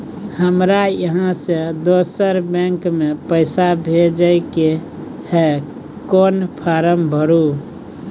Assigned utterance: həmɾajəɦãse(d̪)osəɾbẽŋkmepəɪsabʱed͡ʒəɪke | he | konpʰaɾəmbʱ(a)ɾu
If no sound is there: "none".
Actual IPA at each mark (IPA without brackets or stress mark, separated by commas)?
d̪, ə